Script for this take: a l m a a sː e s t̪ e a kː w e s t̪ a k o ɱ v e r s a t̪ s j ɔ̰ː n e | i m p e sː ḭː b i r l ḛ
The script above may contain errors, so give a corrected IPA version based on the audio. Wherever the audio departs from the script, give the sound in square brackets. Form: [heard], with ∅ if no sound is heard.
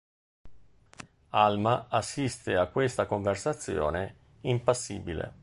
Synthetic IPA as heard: a l m a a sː [i] s t̪ e a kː w e s t̪ a k o ɱ v e r s a t̪ [sː] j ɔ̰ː n e | i m p [a] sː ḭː b i [∅] l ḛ